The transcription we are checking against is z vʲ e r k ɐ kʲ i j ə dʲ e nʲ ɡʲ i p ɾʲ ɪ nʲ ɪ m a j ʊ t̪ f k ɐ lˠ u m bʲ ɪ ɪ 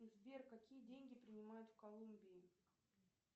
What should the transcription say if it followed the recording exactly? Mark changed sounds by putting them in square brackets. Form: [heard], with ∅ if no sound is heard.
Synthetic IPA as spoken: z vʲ e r k ɐ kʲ i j ə dʲ e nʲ ɡʲ [ɪ] p ɾʲ ɪ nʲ ɪ m a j ʊ t̪ f k ɐ lˠ u m bʲ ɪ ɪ